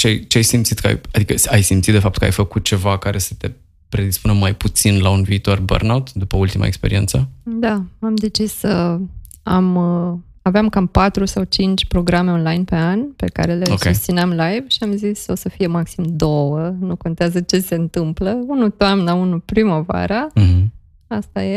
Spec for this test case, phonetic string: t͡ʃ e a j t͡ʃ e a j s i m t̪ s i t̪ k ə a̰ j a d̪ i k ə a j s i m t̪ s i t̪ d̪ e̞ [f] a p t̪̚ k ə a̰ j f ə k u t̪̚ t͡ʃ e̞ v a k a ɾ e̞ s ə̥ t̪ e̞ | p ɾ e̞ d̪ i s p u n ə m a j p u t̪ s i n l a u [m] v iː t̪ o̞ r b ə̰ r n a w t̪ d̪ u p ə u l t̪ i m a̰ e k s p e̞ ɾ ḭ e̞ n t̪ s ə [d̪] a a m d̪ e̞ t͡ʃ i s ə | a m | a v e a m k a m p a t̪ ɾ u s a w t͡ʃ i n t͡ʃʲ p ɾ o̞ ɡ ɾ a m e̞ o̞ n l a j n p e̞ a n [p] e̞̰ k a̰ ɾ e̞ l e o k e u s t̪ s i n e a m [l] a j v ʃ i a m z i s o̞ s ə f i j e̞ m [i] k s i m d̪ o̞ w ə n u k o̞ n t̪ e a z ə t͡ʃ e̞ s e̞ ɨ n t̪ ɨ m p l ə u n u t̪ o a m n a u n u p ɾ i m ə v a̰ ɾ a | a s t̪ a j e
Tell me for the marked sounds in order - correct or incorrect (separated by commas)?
correct, incorrect, correct, correct, correct, incorrect